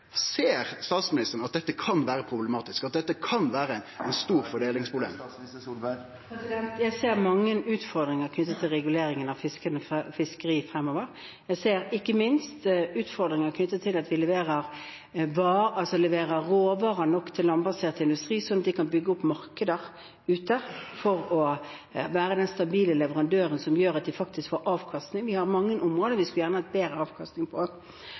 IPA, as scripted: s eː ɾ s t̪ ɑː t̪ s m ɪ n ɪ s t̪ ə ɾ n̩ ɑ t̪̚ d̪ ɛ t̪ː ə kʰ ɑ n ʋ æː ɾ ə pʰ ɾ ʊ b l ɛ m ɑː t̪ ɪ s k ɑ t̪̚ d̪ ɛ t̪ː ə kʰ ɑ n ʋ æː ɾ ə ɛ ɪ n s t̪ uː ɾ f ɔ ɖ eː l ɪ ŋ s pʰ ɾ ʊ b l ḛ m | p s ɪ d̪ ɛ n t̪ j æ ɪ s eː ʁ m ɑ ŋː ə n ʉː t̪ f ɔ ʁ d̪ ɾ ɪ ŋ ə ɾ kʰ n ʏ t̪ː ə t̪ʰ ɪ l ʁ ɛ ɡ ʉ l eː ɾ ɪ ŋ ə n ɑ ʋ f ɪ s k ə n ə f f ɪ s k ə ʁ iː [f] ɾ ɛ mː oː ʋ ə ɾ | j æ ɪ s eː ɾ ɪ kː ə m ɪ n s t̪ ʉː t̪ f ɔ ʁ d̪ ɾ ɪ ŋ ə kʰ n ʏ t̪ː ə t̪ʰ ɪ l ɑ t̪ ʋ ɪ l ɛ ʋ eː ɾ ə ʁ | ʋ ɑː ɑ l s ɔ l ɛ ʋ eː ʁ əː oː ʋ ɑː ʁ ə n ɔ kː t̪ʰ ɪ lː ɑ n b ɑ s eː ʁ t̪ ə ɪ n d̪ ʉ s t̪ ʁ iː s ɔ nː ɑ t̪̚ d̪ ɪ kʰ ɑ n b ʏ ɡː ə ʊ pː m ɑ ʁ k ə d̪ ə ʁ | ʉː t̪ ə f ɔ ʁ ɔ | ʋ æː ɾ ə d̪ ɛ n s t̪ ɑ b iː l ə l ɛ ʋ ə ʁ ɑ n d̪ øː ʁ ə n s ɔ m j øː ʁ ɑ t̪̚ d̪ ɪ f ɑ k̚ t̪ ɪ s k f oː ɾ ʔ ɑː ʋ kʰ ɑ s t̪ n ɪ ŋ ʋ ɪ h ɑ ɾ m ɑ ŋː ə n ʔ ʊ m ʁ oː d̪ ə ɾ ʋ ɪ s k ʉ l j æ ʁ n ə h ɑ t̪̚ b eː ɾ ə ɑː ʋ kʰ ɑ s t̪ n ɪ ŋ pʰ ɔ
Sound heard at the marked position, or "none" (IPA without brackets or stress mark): f